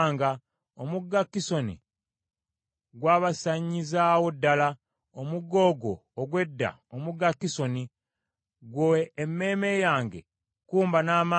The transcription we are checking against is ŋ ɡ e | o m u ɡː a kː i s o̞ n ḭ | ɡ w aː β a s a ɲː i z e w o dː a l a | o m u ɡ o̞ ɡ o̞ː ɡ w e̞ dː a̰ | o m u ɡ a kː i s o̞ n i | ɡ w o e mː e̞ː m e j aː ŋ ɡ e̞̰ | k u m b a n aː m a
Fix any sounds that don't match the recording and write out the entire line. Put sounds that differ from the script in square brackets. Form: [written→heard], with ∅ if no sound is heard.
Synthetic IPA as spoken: ŋ ɡ [e→a] | o m u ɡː a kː i s o̞ n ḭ | ɡ w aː β a s a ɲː i z [e→a] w o dː a l a | o m u ɡ o̞ ɡ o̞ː ɡ w e̞ dː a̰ | o m u ɡ a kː i s o̞ n i | ɡ w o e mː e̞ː m e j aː ŋ ɡ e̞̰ | k [u→uː] m b a n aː m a